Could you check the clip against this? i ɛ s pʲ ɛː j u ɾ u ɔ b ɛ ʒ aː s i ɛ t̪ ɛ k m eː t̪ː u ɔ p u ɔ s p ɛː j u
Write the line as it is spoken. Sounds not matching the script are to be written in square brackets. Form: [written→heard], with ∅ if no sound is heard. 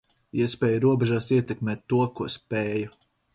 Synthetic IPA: i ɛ s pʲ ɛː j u ɾ u ɔ b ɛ ʒ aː s i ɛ t̪ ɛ k m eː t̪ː u ɔ [p→k] u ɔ s p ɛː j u